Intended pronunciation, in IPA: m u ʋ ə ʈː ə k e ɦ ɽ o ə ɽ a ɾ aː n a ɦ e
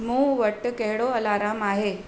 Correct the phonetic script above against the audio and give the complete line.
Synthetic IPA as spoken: m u ʋ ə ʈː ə k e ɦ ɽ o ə l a ɾ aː m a ɦ e